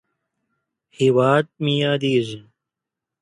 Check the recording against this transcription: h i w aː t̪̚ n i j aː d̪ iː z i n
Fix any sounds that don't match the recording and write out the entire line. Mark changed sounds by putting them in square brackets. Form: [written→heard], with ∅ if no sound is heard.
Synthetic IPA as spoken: h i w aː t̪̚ [n→m] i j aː d̪ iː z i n